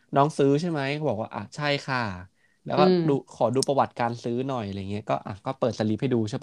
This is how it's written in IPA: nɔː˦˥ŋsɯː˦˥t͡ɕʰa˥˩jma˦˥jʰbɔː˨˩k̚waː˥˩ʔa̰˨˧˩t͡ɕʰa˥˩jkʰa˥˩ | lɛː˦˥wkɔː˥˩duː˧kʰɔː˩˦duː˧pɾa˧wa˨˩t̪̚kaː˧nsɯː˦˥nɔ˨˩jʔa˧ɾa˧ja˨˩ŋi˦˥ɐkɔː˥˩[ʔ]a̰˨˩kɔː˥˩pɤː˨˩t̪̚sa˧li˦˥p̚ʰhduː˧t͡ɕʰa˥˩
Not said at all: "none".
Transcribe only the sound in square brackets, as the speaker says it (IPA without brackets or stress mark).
ʔ